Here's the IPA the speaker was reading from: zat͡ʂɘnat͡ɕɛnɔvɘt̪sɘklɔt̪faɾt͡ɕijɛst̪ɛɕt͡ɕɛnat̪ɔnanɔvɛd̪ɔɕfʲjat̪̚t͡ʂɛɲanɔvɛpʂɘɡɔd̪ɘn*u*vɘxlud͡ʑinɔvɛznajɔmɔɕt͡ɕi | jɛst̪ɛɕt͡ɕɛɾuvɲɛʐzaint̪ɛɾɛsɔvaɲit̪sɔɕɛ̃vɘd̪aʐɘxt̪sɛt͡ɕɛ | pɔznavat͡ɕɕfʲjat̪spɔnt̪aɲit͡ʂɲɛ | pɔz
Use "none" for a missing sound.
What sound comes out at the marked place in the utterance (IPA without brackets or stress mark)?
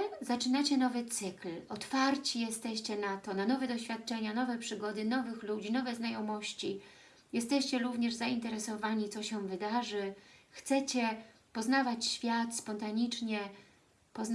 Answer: ɔ